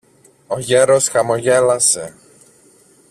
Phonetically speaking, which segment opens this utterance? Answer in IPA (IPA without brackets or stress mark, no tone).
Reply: o